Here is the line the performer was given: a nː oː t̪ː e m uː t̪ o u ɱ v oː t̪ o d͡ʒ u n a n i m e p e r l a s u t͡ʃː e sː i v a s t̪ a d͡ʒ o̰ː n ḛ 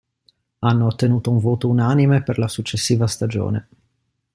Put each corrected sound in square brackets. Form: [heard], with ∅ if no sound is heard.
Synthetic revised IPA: a nː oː t̪ː e [n] uː t̪ o u ɱ v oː t̪ o [∅] u n a n i m e p e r l a s u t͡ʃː e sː [iː] v a s t̪ a d͡ʒ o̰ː n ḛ